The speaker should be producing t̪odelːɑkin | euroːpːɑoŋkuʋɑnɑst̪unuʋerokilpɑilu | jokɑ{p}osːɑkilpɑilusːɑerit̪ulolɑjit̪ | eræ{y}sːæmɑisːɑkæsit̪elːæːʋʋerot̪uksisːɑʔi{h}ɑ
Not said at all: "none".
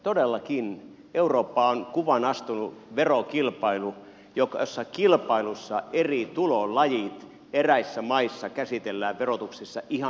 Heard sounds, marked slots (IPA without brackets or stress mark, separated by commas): none, i, h